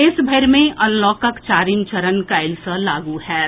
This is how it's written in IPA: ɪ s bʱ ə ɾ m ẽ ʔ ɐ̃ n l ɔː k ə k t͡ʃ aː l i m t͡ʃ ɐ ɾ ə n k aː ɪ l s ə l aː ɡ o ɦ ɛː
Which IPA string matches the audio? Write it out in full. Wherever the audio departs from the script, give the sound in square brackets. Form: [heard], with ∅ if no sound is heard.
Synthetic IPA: ɪ s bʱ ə ɾ m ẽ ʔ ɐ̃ n l ɔː k ə k t͡ʃ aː [ɾ] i m t͡ʃ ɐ ɾ ə n k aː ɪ l s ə l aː ɡ [u] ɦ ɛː